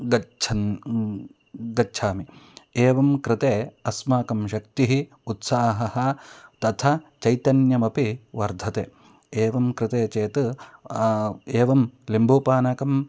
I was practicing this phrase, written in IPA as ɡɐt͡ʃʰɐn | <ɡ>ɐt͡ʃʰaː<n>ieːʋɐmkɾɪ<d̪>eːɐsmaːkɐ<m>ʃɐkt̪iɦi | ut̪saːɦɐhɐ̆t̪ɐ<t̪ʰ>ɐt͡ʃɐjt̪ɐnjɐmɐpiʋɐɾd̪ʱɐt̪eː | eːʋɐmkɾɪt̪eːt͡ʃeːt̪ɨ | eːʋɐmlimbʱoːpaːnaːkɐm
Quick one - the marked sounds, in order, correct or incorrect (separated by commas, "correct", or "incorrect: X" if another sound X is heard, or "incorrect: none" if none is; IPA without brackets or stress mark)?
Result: correct, incorrect: m, incorrect: t̪, correct, correct